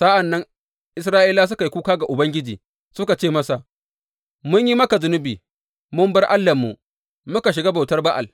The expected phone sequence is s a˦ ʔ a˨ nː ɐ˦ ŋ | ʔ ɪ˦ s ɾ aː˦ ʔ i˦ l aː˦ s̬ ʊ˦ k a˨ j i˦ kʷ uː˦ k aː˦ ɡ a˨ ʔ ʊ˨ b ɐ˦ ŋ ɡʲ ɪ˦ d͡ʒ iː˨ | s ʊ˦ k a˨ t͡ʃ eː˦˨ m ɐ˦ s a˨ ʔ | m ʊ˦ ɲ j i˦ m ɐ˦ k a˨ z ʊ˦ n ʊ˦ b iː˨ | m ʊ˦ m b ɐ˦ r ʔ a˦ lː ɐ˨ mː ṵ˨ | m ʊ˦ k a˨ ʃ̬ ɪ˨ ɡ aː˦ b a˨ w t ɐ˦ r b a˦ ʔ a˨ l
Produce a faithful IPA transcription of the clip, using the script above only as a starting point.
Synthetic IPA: s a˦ ʔ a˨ nː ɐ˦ ŋ | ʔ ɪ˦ s ɾ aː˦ ʔ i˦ l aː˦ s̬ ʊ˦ k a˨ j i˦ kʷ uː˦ k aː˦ ɡ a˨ ʔ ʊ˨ b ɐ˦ ŋ ɡʲ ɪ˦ d͡ʒ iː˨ | s ʊ˦ k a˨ t͡ʃ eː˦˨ m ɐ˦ s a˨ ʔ | m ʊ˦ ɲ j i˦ m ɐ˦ k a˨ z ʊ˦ n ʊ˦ b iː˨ | m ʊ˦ m b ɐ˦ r ʔ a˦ lː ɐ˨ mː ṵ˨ | m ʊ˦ k a˨ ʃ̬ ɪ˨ ɡ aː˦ b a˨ w t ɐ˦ r b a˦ ʔ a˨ l